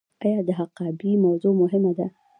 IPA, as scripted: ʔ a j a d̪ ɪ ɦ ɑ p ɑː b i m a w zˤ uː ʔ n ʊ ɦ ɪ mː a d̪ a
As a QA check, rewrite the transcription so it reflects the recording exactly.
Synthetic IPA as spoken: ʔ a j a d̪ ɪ ɦ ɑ q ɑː b i m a w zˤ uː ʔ m ʊ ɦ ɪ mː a d̪ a